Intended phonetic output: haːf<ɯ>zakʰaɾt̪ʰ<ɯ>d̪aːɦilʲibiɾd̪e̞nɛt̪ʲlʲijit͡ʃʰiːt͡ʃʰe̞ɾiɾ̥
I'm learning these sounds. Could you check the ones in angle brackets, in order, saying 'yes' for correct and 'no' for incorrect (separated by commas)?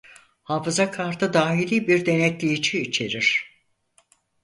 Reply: yes, yes